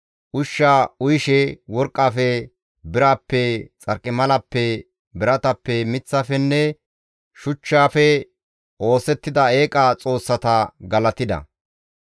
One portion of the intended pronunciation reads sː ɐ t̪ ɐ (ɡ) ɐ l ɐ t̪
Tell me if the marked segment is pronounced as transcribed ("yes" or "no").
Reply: yes